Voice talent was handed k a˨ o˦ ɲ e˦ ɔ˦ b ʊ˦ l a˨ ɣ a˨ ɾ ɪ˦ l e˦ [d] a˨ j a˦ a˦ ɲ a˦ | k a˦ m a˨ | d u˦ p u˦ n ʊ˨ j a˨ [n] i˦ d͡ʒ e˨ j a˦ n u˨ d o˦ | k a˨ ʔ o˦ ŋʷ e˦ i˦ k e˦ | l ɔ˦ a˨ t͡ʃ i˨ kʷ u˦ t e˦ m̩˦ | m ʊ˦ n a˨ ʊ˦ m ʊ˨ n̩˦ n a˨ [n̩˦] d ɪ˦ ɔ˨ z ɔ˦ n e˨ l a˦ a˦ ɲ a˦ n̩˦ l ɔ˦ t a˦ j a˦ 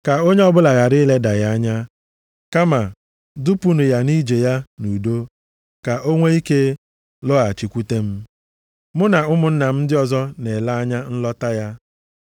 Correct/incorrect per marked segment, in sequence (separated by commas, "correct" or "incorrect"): correct, correct, incorrect